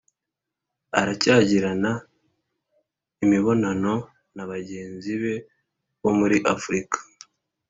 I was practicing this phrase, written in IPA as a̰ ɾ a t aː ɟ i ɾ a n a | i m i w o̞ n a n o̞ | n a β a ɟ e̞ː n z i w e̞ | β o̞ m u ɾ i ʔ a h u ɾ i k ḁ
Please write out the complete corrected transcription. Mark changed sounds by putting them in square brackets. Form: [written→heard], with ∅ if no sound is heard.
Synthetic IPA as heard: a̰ ɾ a [t→c] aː ɟ i ɾ a n a | i m i [w→β] o̞ n a n o̞ | n a β a ɟ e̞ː n z i [w→β] e̞ | β o̞ m u ɾ i ʔ a [h→f] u ɾ i k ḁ